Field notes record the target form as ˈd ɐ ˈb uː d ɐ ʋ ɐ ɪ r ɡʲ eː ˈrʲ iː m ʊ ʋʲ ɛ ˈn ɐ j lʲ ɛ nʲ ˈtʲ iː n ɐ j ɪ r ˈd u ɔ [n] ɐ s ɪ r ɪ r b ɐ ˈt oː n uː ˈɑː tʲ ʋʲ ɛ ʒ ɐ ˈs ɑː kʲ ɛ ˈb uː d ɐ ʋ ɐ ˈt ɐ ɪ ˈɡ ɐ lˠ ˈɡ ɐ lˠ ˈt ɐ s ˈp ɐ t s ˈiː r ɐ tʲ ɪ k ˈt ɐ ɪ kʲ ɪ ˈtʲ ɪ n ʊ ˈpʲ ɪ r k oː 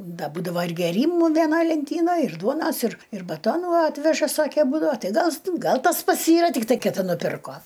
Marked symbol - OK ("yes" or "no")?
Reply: yes